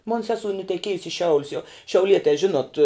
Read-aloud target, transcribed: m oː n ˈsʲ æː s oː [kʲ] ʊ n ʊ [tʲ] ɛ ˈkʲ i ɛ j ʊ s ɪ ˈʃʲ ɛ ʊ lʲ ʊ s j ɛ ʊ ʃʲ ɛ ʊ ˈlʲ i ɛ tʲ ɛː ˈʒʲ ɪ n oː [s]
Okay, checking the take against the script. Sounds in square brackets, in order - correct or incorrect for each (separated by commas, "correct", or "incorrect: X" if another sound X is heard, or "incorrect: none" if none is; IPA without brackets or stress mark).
incorrect: none, correct, incorrect: t